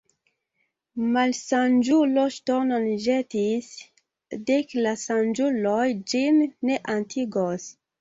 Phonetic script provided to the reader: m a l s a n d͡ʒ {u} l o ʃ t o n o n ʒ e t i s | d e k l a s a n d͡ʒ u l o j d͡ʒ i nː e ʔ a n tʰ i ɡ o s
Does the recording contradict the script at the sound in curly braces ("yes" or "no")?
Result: no